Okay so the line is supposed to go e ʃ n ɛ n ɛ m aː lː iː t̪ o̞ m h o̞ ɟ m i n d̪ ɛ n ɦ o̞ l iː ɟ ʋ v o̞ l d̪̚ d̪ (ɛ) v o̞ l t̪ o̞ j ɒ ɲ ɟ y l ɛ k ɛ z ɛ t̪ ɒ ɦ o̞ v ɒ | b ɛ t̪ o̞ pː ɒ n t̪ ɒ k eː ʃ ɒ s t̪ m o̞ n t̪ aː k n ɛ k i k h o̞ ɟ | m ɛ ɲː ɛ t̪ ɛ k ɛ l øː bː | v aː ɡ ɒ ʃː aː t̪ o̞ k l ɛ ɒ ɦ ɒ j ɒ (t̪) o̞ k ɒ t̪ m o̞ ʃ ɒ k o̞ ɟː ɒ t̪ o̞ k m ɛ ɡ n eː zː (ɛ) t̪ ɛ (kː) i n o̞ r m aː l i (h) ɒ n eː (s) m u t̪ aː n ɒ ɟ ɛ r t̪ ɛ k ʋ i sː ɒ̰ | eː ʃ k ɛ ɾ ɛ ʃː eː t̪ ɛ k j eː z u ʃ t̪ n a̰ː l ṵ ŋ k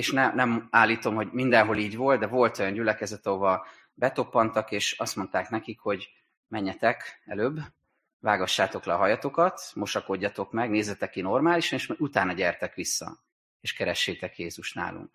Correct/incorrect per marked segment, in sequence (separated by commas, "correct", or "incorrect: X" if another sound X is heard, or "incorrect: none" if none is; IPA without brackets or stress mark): correct, correct, correct, correct, incorrect: ʃ, incorrect: ʃ